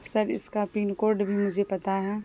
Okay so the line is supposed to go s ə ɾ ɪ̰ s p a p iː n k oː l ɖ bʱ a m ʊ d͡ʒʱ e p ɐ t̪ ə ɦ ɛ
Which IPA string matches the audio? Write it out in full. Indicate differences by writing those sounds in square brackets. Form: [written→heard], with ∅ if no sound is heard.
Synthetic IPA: s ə ɾ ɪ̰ s [p→k] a p iː n k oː [l→ɾ] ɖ bʱ [a→i] m ʊ d͡ʒʱ e p ɐ t̪ [ə→a] ɦ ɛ